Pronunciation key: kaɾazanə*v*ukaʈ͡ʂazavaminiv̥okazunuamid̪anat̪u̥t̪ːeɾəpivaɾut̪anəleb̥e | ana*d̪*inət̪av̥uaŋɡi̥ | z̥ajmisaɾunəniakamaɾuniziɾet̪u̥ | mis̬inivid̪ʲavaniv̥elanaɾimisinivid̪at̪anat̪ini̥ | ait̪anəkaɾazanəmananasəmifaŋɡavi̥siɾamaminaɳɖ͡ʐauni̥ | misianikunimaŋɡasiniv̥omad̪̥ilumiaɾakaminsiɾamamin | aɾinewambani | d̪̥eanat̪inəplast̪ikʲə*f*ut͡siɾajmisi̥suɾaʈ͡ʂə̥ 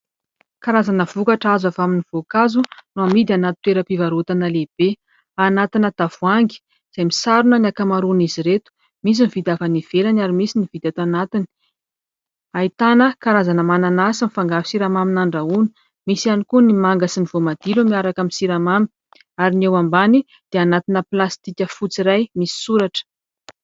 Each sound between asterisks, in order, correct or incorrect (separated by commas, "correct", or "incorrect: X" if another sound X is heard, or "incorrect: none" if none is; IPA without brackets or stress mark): correct, incorrect: t̪, correct